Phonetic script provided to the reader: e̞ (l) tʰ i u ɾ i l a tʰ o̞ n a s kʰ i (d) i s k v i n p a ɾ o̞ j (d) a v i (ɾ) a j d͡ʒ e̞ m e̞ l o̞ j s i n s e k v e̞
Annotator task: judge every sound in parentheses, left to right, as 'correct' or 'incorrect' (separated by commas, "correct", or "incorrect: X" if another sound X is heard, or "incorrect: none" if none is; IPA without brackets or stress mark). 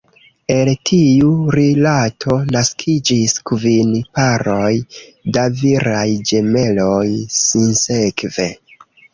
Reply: correct, incorrect: d͡ʒ, correct, correct